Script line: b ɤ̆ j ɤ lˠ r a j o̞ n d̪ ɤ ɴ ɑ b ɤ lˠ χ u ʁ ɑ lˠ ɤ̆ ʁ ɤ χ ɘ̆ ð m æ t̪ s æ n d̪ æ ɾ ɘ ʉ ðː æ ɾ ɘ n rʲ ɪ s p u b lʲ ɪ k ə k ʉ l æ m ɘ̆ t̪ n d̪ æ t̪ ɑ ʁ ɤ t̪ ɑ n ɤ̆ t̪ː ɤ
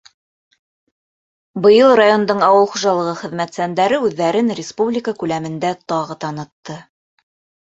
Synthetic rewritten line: b ɤ̆ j ɤ lˠ r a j o̞ n d̪ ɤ ɴ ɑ w ɤ lˠ χ u ʒ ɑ lˠ ɤ̆ ʁ ɤ χ ɘ̆ ð m æ t̪ s æ n d̪ æ ɾ ɘ ʉ ðː æ ɾ ɘ n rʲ ɪ s p u b lʲ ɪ k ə k ʉ l æ m ɘ̆ n d̪ æ t̪ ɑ ʁ ɤ t̪ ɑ n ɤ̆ t̪ː ɤ